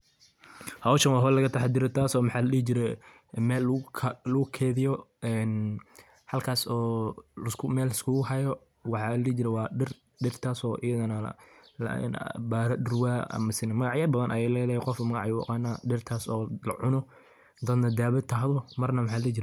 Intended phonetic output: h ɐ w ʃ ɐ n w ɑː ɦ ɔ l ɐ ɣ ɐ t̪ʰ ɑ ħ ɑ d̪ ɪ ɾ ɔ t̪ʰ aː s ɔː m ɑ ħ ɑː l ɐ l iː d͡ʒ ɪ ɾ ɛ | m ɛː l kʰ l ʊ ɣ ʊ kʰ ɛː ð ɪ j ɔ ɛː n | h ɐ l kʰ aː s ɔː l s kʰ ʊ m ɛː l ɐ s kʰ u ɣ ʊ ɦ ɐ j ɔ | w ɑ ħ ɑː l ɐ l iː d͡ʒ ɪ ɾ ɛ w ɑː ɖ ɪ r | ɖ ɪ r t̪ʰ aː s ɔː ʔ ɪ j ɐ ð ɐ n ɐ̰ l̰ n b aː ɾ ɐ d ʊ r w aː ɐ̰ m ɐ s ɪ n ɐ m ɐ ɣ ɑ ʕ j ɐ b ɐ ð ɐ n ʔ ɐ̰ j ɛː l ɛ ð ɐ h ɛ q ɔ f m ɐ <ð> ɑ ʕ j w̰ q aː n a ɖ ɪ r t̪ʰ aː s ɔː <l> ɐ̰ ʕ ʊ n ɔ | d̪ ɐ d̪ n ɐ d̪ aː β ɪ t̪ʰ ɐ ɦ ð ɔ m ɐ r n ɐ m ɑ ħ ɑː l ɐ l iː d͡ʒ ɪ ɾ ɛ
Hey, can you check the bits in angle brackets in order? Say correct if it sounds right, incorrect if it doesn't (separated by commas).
incorrect, correct